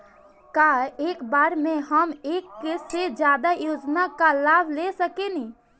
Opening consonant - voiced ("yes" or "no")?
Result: no